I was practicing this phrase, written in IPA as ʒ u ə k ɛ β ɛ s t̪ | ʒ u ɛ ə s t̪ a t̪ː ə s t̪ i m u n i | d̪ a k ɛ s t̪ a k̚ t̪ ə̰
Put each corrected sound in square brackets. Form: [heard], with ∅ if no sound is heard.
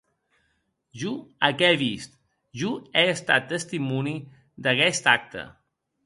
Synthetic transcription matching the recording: ʒ u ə k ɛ β [i] s t̪ | ʒ u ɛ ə s t̪ a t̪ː ə s t̪ i m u n i | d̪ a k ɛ s t̪ a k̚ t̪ ə̰